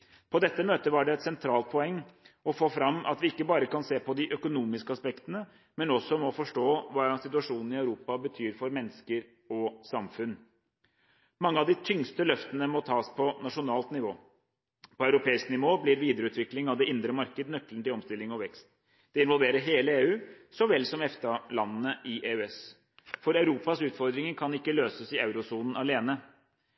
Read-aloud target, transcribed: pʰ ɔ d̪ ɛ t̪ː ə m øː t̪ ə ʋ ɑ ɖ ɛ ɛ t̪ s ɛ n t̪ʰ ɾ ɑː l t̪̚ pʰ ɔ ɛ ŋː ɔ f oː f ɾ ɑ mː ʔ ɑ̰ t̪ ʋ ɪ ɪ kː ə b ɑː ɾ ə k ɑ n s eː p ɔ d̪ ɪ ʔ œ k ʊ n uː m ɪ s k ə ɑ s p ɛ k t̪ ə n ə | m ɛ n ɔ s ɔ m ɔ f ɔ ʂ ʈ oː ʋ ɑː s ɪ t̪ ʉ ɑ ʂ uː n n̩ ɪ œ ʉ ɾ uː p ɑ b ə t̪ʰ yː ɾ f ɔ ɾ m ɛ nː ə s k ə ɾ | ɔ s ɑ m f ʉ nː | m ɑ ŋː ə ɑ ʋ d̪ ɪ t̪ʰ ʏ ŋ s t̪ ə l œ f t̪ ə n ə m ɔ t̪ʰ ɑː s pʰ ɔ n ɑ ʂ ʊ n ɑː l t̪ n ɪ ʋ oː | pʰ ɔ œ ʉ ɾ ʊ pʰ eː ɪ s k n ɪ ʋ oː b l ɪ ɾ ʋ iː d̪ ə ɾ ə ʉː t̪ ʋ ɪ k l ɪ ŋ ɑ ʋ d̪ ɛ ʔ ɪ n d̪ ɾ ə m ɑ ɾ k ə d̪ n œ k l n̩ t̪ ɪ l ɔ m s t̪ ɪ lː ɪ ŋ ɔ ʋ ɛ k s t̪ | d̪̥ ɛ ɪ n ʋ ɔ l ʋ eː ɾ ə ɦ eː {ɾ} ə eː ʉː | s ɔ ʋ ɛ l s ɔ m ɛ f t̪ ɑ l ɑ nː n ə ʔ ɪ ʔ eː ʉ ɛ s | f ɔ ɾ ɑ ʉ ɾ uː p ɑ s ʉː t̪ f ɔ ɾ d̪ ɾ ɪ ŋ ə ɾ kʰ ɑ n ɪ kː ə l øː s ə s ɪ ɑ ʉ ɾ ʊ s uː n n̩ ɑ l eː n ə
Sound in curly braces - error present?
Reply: yes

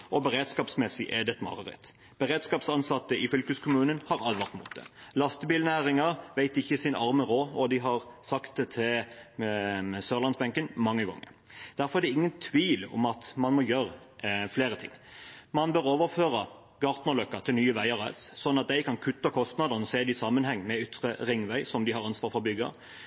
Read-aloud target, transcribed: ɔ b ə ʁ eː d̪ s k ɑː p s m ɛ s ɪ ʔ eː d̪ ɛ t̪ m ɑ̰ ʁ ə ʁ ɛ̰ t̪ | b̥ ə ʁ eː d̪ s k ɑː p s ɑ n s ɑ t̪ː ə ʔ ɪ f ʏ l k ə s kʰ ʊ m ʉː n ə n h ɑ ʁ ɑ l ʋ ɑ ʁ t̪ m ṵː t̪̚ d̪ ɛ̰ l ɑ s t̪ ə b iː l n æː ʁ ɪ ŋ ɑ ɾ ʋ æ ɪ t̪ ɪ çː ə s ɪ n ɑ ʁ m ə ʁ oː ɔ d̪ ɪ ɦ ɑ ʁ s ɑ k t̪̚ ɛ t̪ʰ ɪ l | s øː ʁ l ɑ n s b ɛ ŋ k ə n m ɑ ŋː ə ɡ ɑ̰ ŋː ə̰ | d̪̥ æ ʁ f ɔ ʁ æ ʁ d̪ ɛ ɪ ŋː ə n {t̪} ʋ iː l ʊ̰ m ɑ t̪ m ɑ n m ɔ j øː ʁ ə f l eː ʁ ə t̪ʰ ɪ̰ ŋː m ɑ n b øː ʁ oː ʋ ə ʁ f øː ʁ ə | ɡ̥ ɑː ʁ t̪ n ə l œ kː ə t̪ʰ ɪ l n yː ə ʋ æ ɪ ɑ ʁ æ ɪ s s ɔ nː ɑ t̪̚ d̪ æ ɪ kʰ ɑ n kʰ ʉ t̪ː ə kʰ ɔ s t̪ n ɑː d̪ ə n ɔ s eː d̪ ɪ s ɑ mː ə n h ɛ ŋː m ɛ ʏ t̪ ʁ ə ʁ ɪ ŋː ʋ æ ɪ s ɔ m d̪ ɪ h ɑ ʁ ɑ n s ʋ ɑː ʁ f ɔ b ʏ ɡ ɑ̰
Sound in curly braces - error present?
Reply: yes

